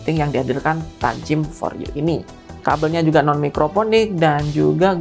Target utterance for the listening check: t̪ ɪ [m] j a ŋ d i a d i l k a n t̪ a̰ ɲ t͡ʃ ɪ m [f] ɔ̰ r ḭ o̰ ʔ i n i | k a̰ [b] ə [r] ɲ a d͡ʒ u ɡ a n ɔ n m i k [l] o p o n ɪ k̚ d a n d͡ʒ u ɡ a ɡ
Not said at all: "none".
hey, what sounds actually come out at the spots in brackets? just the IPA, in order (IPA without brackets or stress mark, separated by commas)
ŋ, f, b, l, ɾ